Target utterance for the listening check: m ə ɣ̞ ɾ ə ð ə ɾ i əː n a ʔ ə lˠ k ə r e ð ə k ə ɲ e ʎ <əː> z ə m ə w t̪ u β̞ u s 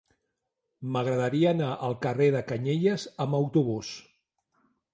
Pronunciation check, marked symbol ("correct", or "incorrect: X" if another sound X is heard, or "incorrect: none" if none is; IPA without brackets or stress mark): incorrect: ə